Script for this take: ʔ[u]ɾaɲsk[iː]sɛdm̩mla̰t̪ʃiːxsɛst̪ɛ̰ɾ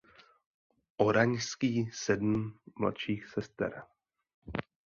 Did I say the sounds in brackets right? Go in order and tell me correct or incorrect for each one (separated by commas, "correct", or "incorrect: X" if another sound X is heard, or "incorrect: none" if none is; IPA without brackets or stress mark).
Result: incorrect: o, correct